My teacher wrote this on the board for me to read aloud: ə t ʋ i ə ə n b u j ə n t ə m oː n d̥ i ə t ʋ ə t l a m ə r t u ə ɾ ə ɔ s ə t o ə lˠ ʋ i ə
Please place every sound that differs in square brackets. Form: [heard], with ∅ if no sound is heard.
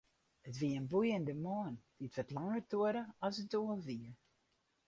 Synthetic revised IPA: ə t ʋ i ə ə n b u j ə n [d] ə m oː n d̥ i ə t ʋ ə t l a [ŋ] ə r t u ə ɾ ə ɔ s ə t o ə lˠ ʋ i ə